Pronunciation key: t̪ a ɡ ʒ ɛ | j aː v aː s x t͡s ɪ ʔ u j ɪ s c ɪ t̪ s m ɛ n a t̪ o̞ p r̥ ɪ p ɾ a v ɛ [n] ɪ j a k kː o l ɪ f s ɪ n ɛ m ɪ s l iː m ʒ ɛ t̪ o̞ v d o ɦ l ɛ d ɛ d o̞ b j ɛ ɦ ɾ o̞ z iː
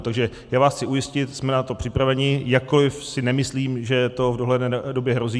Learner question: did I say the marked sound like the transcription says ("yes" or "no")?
no